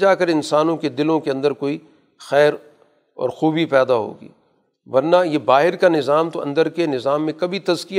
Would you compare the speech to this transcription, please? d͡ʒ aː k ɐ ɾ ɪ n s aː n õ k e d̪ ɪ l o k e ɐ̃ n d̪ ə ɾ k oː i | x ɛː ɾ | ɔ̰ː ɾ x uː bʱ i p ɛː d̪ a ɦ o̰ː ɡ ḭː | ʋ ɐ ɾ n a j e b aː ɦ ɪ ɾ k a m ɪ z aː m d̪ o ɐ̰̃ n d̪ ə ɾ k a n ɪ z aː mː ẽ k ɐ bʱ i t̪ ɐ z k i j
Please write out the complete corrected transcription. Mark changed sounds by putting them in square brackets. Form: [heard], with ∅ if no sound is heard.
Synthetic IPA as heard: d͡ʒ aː k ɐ ɾ ɪ n s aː n õ k e d̪ ɪ l [õ] k e ɐ̃ n d̪ ə ɾ k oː i | x ɛː ɾ | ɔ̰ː ɾ x uː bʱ i p ɛː d̪ a ɦ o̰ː ɡ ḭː | ʋ ɐ ɾ n a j e b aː ɦ ɪ ɾ k a [n] ɪ z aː m [t̪] o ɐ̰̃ n d̪ ə ɾ k [e] n ɪ z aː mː ẽ k ɐ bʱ i t̪ ɐ z k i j